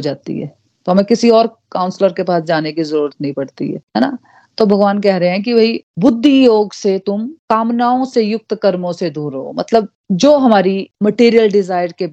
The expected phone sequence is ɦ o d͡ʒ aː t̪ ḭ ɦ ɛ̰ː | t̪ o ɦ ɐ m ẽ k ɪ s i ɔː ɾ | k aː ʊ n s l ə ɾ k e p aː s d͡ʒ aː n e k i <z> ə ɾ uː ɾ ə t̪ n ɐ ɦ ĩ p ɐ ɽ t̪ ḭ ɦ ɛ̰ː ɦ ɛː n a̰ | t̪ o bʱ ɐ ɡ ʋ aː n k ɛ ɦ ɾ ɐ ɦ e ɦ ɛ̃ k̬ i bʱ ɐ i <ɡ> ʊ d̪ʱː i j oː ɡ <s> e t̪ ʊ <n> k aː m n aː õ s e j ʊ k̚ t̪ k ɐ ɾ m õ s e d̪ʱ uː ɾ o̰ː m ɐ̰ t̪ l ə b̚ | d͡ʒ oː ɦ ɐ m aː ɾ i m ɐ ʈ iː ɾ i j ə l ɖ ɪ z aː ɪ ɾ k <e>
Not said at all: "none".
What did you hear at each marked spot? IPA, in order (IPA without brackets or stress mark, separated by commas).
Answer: z, b, s, m, e